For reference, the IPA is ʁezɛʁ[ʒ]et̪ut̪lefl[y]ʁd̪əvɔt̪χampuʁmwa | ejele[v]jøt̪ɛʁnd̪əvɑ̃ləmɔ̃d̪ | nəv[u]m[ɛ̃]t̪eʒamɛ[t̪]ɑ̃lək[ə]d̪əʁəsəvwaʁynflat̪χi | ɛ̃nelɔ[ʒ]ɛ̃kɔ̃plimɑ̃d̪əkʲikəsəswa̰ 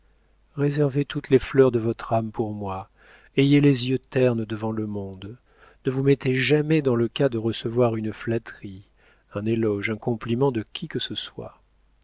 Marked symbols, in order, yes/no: no, no, no, yes, no, no, no, yes

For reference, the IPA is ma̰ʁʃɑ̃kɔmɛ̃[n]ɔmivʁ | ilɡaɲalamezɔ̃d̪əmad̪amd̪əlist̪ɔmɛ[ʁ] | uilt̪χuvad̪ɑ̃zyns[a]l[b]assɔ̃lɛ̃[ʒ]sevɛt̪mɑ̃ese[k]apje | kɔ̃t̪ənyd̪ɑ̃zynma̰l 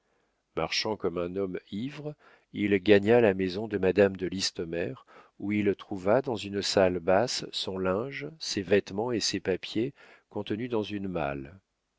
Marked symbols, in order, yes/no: yes, yes, yes, yes, yes, no

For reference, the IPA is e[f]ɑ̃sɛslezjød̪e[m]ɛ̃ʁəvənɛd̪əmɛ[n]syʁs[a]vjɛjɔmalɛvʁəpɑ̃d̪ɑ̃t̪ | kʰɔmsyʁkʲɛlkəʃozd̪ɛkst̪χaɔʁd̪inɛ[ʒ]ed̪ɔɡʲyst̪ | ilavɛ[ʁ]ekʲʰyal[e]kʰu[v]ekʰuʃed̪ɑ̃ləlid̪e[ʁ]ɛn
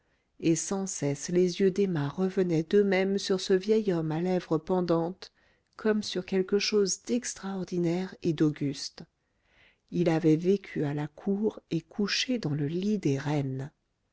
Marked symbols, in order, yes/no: no, yes, no, no, no, no, no, no, yes

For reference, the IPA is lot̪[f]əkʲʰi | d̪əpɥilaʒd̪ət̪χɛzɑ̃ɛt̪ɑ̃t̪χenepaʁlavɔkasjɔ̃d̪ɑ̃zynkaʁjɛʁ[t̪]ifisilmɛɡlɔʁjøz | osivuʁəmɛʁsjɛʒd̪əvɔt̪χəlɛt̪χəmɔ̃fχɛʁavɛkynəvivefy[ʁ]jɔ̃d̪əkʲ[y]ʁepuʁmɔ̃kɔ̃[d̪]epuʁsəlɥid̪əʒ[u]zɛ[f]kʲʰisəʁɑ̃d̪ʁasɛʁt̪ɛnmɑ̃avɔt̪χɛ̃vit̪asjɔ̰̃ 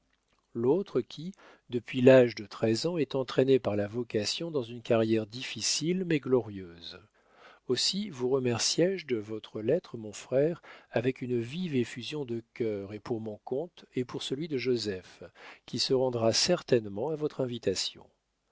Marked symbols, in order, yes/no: no, no, no, no, no, no, yes

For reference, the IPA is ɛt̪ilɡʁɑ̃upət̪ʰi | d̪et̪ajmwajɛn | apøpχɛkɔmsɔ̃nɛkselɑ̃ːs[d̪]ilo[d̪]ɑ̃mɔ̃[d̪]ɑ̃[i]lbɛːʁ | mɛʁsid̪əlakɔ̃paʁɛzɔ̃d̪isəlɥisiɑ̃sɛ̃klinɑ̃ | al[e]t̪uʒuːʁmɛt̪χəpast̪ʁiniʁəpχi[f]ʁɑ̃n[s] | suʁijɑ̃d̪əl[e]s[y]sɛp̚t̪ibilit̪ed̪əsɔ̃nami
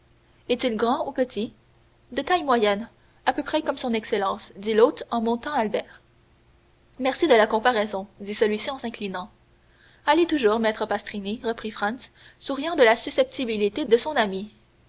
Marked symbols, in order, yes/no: yes, no, no, no, yes, yes, yes, no, yes

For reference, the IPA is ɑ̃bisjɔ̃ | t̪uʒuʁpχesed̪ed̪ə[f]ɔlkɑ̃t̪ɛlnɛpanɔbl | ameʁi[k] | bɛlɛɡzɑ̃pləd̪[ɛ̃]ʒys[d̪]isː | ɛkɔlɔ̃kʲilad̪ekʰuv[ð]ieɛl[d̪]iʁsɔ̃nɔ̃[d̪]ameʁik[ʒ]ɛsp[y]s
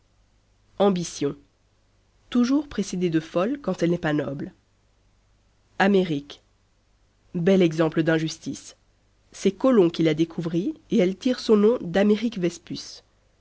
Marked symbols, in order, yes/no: yes, yes, yes, no, no, no, yes, no, yes

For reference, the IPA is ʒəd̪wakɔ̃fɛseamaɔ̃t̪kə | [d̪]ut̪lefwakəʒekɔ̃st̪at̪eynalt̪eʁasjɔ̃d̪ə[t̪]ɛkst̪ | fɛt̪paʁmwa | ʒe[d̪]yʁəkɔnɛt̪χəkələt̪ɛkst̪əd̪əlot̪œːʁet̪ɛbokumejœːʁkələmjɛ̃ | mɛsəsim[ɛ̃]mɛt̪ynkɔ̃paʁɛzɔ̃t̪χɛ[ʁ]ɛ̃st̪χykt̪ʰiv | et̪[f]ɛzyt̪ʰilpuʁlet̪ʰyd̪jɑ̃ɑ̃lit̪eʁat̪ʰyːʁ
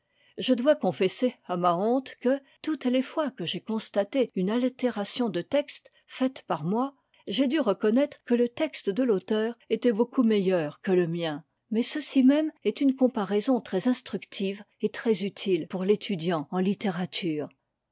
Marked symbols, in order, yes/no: no, yes, yes, no, no, no

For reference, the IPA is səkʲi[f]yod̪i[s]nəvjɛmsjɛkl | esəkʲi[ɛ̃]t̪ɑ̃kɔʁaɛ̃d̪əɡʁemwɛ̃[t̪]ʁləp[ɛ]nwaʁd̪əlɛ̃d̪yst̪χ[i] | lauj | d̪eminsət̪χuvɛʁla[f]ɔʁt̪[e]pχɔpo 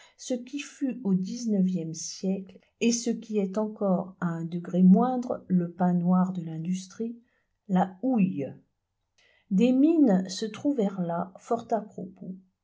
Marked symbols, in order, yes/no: yes, no, no, no, no, yes, yes, no

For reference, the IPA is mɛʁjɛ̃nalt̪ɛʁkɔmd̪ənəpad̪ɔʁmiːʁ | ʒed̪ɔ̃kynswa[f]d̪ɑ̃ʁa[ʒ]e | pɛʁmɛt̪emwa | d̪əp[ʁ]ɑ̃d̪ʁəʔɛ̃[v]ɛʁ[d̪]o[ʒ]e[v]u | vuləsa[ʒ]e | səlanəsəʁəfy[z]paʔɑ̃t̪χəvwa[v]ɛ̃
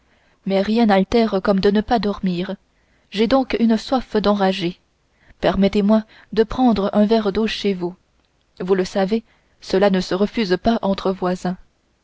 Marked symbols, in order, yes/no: yes, yes, no, yes, yes, no, yes, no, yes, no

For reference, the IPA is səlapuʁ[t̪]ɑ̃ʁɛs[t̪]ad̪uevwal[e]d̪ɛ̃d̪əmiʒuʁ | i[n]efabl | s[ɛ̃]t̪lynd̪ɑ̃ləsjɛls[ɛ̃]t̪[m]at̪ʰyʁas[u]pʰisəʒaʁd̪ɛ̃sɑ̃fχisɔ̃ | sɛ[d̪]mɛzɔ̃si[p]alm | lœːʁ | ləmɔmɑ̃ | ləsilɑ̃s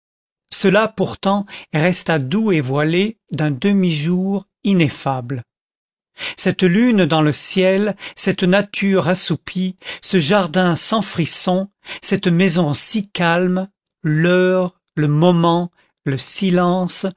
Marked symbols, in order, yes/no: yes, yes, yes, yes, no, no, no, yes, no, no

